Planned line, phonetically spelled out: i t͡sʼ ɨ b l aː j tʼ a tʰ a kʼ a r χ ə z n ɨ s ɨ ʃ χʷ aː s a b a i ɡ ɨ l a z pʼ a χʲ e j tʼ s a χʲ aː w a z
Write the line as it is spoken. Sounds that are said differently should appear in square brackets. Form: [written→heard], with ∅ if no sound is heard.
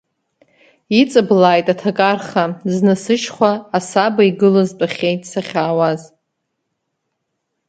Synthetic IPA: i t͡sʼ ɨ b l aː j tʼ a tʰ a kʼ a r χ [ə→a] z n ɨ s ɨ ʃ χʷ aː s a b a i ɡ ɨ l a z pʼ a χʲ e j tʼ s a χʲ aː w a z